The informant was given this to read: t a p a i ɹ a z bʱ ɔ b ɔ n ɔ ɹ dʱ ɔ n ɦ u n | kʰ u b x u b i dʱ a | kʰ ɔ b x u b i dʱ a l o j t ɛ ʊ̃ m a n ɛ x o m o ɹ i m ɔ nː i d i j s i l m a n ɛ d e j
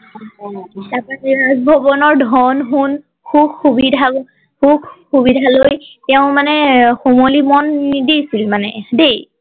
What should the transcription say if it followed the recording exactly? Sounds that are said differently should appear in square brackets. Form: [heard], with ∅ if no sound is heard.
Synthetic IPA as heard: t a p a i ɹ a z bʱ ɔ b ɔ n ɔ ɹ dʱ ɔ n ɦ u n | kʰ u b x u b i dʱ a | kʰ [u] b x u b i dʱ a l o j t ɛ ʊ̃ m a n ɛ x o m o [l] i m ɔ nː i d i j s i l m a n ɛ d e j